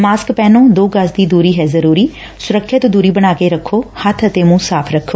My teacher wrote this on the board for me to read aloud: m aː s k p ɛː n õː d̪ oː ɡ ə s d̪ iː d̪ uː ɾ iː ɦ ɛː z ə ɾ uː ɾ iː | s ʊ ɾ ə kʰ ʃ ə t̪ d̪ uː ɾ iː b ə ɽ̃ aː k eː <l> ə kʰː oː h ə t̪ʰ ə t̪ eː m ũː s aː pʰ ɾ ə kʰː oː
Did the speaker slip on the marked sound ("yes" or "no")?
yes